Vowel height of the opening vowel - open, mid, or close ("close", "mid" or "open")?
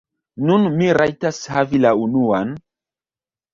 close